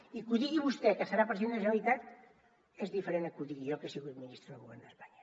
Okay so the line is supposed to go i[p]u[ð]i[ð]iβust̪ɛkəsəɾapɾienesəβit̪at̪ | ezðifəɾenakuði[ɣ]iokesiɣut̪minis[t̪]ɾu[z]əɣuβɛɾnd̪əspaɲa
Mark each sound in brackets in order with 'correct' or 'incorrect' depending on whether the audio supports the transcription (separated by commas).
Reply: incorrect, correct, incorrect, correct, correct, incorrect